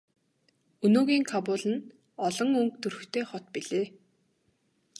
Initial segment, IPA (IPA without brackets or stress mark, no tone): ɵ